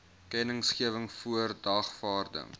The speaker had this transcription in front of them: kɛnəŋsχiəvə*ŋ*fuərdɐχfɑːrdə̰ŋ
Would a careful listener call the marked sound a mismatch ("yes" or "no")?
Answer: no